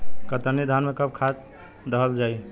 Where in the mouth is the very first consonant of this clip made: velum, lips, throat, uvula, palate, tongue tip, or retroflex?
velum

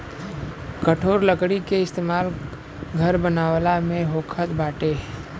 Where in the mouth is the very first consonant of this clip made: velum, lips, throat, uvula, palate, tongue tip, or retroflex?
velum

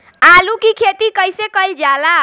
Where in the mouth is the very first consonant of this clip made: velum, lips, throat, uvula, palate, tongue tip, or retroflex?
tongue tip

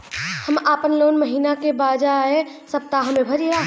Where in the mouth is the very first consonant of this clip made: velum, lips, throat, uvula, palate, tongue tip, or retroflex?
throat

